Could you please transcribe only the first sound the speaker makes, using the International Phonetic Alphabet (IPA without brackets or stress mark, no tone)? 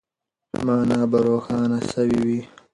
m